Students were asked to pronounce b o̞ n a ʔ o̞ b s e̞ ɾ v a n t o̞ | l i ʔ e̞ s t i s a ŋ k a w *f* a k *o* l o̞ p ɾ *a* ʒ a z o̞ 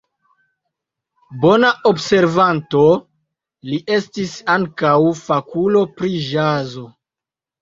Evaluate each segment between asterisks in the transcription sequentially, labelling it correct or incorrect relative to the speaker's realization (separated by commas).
correct, incorrect, incorrect